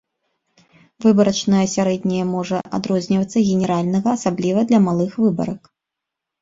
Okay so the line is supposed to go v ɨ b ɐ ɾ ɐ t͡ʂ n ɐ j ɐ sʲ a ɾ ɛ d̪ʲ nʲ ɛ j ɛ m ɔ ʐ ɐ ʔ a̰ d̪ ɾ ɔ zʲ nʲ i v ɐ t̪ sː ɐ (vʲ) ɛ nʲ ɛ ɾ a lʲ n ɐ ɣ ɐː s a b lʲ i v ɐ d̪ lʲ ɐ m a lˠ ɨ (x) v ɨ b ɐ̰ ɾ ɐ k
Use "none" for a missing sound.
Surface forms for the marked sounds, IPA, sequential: ɣʲ, x

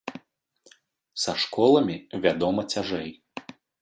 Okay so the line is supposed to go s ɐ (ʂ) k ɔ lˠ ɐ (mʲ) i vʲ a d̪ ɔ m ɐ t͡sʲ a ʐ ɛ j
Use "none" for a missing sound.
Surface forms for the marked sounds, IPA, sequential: ʂ, mʲ

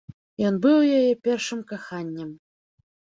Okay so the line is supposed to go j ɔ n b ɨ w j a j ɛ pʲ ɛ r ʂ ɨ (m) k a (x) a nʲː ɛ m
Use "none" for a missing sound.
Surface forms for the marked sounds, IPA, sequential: m, x

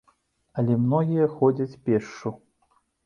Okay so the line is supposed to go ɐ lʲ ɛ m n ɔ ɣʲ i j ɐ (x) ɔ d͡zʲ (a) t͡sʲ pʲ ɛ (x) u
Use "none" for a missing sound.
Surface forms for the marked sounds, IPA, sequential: x, ɐ, ʂ

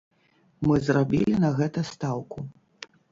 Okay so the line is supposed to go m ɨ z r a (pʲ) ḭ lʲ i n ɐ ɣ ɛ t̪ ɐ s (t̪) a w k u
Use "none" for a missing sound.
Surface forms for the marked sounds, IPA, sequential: bʲ, t̪

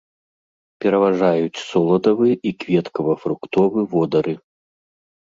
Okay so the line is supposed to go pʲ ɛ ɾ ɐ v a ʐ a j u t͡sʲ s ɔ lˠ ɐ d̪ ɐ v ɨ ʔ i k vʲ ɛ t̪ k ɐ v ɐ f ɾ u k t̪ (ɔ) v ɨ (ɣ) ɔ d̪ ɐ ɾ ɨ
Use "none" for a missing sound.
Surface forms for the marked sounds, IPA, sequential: ɔ, v

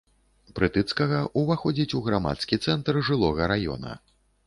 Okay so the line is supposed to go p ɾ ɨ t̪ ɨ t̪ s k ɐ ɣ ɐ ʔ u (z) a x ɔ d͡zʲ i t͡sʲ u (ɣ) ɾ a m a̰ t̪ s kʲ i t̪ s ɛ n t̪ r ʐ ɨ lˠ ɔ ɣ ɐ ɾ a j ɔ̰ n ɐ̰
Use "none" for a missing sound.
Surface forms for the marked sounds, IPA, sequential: v, ɣ

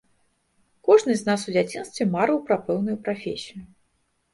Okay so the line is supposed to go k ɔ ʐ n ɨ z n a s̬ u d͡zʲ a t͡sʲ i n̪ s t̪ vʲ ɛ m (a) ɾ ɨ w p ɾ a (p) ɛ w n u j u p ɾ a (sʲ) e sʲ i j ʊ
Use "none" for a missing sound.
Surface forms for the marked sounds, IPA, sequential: a, p, fʲ

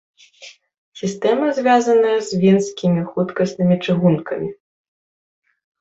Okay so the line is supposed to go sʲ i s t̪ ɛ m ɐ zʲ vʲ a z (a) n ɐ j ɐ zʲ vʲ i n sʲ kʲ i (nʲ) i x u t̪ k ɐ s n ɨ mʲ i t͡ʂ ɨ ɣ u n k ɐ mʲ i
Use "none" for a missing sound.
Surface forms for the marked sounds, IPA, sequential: ɐ, mʲ

